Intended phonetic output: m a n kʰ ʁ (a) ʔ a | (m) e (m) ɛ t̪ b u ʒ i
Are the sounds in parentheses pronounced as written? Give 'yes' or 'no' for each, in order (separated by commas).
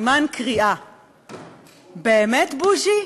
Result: no, no, yes